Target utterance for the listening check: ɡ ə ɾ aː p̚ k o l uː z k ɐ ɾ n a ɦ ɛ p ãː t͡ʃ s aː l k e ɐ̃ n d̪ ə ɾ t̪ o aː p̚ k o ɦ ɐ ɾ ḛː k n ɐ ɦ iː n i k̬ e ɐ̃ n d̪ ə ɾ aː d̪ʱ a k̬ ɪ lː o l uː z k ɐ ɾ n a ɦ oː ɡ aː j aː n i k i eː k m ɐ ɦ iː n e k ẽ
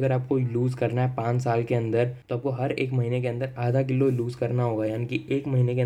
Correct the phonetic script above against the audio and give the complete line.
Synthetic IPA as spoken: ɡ ə ɾ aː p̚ k o l uː z k ɐ ɾ n a ɦ ɛ p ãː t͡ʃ s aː l k e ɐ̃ n d̪ ə ɾ t̪ o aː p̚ k o ɦ ɐ ɾ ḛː k m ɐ ɦ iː n e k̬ e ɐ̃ n d̪ ə ɾ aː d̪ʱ a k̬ ɪ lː o l uː z k ɐ ɾ n a ɦ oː ɡ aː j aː n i k i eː k m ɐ ɦ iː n e k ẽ